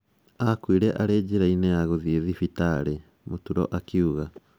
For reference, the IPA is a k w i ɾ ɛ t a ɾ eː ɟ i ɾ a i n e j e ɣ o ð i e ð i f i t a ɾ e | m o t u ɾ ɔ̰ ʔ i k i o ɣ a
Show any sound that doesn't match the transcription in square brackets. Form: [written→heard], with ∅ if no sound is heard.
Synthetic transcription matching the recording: a k w i ɾ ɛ [t→ʔ] a ɾ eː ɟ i ɾ a i n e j [e→a] ɣ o ð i e ð i f i t a ɾ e | m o t u ɾ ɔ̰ ʔ [i→a] k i [o→u] ɣ a